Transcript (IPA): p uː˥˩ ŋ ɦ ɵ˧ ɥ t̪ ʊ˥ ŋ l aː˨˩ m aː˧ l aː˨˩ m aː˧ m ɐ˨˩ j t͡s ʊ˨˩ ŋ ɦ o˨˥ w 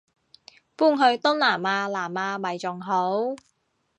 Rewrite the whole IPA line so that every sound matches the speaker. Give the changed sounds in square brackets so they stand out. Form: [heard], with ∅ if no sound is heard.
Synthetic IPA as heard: p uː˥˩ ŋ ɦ ɵ˧ ɥ t̪ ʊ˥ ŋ l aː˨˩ m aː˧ l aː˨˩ m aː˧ m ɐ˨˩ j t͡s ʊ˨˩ ŋ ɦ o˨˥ w